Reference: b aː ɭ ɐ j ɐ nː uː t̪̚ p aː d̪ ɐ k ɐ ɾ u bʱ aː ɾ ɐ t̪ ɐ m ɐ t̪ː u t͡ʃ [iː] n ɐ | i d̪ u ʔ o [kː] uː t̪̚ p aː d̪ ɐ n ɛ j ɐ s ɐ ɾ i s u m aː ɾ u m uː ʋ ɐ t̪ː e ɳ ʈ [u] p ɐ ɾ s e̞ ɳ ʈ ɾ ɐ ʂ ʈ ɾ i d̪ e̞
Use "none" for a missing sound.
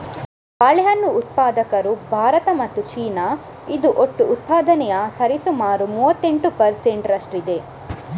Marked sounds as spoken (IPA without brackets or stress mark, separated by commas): iː, ʈː, u